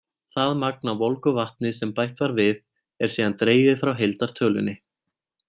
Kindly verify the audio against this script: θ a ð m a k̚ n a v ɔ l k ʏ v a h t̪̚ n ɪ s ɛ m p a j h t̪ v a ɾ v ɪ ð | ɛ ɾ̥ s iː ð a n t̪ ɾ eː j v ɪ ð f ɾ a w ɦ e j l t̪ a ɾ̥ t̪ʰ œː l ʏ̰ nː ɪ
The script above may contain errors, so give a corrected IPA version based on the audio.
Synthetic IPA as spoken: θ a ð m a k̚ n a v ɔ l k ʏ v a h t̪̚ n ɪ s ɛ m p a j h t̪ v a ɾ v ɪ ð | ɛ ɾ̥ s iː ð a n t̪ ɾ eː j v ɪ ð f ɾ a w ɦ e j l t̪ a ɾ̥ t̪ʰ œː l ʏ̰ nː ɪ